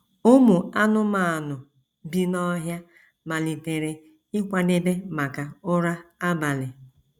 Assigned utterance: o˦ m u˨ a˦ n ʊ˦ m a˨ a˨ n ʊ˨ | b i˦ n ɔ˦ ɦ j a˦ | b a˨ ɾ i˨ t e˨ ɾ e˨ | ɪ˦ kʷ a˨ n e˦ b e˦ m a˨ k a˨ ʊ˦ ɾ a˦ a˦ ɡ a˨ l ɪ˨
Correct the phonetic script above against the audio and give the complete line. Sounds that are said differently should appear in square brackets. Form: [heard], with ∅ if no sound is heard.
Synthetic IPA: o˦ m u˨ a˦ n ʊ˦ m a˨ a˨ n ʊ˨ | b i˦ n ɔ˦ ɦ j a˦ | [m] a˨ [l] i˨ t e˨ ɾ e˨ | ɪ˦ kʷ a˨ n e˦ b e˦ m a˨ k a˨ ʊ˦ ɾ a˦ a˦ [b] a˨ l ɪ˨